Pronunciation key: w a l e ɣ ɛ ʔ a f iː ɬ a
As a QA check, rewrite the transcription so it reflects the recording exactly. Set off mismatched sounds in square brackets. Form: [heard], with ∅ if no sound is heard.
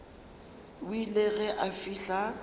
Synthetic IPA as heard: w [i] l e ɣ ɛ ʔ a f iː ɬ a